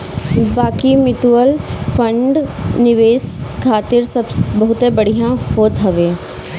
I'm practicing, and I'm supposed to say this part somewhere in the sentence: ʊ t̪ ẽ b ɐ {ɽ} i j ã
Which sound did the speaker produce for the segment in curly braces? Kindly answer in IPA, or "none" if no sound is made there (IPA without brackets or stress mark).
ɽ